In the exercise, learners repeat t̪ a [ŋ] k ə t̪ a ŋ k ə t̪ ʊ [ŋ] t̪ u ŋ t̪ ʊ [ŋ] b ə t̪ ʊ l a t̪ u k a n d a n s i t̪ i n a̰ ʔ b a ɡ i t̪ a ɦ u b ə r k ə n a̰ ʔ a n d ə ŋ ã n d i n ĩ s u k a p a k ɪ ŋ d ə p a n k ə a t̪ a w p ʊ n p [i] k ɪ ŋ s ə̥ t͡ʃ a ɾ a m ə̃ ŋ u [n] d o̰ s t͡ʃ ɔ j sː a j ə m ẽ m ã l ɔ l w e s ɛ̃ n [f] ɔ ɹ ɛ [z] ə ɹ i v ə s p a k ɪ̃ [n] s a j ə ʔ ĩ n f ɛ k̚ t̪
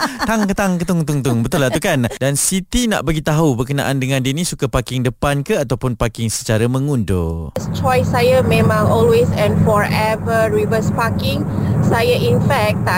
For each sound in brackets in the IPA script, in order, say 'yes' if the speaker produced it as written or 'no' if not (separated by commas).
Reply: yes, yes, yes, no, yes, yes, no, no